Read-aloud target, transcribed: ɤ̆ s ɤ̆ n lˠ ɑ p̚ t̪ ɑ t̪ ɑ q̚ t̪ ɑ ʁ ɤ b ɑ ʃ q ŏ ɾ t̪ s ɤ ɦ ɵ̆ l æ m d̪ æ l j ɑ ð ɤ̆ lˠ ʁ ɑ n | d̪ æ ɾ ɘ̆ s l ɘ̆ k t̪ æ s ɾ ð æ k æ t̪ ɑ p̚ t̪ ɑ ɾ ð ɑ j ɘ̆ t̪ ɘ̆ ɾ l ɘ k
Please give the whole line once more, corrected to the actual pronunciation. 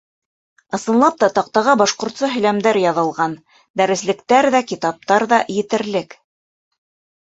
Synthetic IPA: ɤ̆ s ɤ̆ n lˠ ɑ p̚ t̪ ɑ t̪ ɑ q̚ t̪ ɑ ʁ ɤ b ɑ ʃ q ŏ ɾ t̪ s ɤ ɦ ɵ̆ l æ m d̪ æ ɾ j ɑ ð ɤ̆ lˠ ʁ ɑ n | d̪ æ ɾ ɘ̆ s l ɘ̆ k t̪ æ ɾ ð æ k i t̪ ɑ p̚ t̪ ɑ ɾ ð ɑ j ɘ̆ t̪ ɘ̆ ɾ l ɘ k

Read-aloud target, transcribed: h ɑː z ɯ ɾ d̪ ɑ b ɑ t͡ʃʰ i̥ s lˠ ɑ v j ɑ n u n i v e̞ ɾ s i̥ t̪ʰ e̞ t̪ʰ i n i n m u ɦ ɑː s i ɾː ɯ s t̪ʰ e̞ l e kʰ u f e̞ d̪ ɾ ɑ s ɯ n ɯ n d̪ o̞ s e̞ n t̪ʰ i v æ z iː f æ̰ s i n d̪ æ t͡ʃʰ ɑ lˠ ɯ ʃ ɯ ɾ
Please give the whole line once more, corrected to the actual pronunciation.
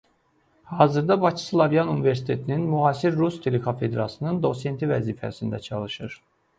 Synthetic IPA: h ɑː z ɯ ɾ d̪ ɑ b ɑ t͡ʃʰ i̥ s lˠ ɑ v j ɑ n u n i v e̞ ɾ s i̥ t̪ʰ e̞ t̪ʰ i n i n m u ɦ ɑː s i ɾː u s t̪ʰ e̞ l e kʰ o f e̞ d̪ ɾ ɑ s ɯ n ɯ n d̪ o̞ s e̞ n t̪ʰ i v æ z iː f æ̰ s i n d̪ æ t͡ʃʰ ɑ lˠ ɯ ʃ ɯ ɾ

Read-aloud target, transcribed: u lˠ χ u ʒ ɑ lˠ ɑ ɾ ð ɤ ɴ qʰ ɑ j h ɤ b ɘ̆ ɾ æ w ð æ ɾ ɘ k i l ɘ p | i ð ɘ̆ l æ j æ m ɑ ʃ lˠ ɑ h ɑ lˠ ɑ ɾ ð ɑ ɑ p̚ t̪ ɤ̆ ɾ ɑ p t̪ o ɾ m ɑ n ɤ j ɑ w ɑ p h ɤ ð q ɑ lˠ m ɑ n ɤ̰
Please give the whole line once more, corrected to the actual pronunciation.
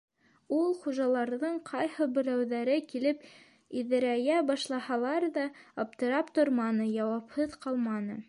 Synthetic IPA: u lˠ χ u ʒ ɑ lˠ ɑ ɾ ð ɤ ɴ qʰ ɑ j h ɤ b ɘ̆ ɾ æ w ð æ ɾ ɘ k i l ɘ p | i ð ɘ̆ ɾ æ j æ b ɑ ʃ lˠ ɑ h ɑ lˠ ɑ ɾ ð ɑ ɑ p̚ t̪ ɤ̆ ɾ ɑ p t̪ o ɾ m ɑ n ɤ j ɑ w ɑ p h ɤ ð q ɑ lˠ m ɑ n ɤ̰

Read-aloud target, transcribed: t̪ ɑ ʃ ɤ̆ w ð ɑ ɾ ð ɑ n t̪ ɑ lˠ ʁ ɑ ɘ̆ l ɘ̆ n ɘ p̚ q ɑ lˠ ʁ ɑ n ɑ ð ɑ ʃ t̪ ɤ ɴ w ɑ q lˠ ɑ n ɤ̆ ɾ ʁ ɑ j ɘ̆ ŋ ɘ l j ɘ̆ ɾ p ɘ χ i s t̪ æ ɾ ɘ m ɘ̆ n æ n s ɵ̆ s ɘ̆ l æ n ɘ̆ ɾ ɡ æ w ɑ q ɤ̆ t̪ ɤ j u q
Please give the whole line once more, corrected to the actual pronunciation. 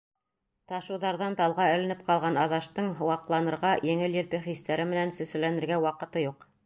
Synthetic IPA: t̪ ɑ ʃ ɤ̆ w ð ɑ ɾ ð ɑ n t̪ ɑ lˠ ʁ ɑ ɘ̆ l ɘ̆ n ɘ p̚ q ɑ lˠ ʁ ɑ n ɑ ð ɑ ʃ t̪ ɤ ɴ w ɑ q lˠ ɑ n ɤ̆ ɾ ʁ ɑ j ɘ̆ ŋ ɘ l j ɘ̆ ɾ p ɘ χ i s t̪ æ ɾ ɘ m ɘ̆ n æ n s ɵ̆ s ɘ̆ l æ n ɘ̆ ɾ ɡ æ w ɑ q ɤ̆ t̪ ɤ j u q

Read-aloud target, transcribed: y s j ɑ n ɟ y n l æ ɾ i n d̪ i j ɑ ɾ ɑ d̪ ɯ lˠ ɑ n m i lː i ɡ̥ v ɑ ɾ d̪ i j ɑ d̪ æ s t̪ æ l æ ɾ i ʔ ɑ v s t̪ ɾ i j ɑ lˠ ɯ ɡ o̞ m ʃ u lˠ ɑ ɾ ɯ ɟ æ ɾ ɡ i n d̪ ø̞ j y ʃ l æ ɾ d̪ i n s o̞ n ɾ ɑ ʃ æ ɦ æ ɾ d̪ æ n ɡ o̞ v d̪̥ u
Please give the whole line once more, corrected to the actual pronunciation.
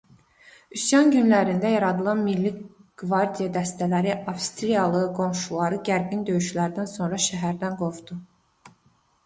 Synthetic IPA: y s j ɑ n ɟ y n l æ ɾ i n d̪ æ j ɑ ɾ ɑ d̪ ɯ lˠ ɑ n m i lː i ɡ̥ v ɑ ɾ d̪ i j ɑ d̪ æ s t̪ æ l æ ɾ i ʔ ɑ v s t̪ ɾ i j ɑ lˠ ɯ ɡ o̞ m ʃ u lˠ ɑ ɾ ɯ ɟ æ ɾ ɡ i n d̪ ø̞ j y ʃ l æ ɾ d̪ æ n s o̞ n ɾ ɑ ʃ æ ɦ æ ɾ d̪ æ n ɡ o̞ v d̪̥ u

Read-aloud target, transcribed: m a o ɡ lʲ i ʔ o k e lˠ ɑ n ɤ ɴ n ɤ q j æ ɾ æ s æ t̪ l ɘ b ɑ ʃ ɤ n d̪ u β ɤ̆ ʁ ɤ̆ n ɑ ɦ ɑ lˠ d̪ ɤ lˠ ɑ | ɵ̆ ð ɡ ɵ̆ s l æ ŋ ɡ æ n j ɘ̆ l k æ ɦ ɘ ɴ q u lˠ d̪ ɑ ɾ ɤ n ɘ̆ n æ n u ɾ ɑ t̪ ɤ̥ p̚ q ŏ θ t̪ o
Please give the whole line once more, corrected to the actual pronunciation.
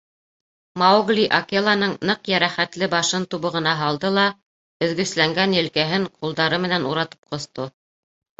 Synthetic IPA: m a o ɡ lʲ i ʔ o k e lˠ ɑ n ɤ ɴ n ɤ q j æ ɾ æ χ æ t̪ l ɘ b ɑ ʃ ɤ n t̪ u β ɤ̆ ʁ ɤ̆ n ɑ ɦ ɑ lˠ d̪ ɤ lˠ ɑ | ɵ̆ ð ɡ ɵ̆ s l æ ŋ ɡ æ n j ɘ̆ l k æ ɦ ɘ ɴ q u lˠ d̪ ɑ ɾ ɤ m ɘ̆ n æ n u ɾ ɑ t̪ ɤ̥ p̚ q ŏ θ t̪ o

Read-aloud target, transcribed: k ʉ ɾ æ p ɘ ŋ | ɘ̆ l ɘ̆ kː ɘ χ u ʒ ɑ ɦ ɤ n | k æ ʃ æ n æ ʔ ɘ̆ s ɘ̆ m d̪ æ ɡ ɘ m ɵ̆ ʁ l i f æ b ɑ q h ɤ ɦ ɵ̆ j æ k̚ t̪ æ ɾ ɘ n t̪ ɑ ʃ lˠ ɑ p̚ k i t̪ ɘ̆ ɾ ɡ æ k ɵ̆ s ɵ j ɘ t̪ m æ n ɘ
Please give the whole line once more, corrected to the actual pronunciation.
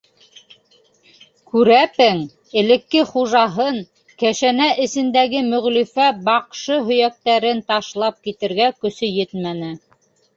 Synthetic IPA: k ʉ ɾ æ p ɘ ŋ | ɘ̆ l ɘ̆ kː ɘ χ u ʒ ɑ ɦ ɤ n | k æ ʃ æ n æ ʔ ɘ̆ s ɘ̆ n d̪ æ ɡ ɘ m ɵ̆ ʁ l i f æ b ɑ q ʃ ɤ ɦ ɵ̆ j æ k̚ t̪ æ ɾ ɘ n t̪ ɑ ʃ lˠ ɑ p̚ k i t̪ ɘ̆ ɾ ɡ æ k ɵ̆ s ɵ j ɘ t̪ m æ n ɘ

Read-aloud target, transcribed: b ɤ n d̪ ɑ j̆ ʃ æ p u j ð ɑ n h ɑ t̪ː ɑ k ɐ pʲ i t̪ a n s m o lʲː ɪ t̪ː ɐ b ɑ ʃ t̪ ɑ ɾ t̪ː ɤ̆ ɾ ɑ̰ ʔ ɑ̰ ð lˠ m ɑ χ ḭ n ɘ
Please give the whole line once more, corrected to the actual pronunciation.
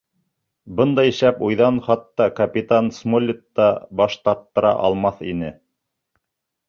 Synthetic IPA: b ɤ n d̪ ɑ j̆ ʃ æ p u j ð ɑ n χ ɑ t̪ː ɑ k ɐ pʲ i t̪ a n s m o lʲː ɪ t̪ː ɑ b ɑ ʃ t̪ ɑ ɾ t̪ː ɤ̆ ɾ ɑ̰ ʔ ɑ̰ lˠ m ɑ θ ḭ n ɘ

